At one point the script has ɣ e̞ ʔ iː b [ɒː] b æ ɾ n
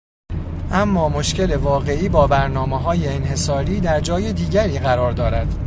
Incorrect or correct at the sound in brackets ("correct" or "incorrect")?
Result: correct